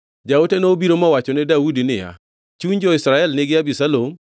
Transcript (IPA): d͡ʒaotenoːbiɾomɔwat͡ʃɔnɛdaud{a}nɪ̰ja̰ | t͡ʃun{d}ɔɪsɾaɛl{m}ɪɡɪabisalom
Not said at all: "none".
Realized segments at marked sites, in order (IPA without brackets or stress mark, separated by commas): i, d͡ʒ, n